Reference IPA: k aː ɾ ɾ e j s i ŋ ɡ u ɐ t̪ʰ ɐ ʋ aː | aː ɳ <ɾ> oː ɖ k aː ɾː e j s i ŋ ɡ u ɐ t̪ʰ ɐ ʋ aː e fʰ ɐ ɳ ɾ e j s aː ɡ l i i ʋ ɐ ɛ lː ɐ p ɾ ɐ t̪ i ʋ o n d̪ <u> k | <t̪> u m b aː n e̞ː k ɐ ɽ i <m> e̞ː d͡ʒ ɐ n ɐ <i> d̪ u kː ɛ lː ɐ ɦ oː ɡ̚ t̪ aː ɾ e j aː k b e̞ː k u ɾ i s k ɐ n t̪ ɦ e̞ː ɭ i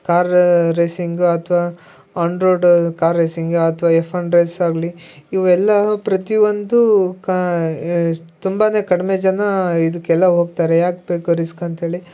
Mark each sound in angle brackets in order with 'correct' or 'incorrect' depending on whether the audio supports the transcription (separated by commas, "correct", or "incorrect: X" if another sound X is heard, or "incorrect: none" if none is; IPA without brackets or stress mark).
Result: correct, correct, correct, correct, correct